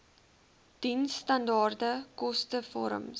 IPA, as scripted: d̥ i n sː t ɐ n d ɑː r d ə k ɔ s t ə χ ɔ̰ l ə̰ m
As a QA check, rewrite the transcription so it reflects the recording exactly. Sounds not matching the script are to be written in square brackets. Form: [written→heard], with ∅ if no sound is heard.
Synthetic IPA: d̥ i n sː t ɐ n d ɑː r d ə k ɔ s t ə [χ→f] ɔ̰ [l→ɾ] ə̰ m